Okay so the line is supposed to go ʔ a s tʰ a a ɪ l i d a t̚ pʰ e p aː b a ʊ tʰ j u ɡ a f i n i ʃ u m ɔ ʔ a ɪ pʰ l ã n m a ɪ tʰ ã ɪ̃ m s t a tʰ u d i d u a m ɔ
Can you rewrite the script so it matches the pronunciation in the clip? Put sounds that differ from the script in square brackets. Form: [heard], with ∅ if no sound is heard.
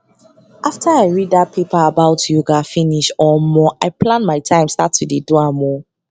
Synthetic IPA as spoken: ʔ a [f] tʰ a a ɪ [ɹ] i d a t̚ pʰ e p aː b a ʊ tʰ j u ɡ a f i n i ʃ [ɔ] m ɔ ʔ a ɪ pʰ l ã n m a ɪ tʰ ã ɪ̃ m s t a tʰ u d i d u a m ɔ